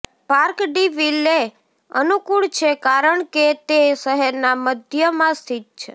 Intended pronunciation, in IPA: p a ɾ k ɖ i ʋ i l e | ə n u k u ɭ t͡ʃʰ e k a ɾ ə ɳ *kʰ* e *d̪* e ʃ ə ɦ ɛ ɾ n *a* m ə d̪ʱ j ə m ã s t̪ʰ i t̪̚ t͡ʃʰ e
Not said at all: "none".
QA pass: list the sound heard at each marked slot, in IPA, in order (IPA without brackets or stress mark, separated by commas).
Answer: k, t̪, a